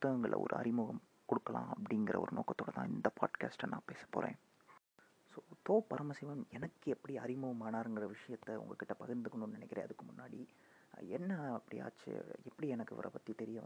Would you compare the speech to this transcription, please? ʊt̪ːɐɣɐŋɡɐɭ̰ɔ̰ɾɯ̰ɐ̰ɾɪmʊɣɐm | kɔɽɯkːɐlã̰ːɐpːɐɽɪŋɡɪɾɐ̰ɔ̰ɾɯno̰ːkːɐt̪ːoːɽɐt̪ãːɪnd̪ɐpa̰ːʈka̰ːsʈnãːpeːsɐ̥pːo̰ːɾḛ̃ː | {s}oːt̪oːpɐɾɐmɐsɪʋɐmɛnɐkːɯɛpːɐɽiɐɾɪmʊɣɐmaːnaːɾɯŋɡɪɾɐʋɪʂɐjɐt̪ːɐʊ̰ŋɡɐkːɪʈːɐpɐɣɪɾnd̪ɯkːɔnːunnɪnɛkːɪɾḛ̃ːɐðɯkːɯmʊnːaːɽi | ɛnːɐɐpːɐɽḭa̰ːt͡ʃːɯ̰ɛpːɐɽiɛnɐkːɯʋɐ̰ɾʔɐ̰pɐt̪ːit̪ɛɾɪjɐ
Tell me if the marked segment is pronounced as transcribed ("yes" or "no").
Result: yes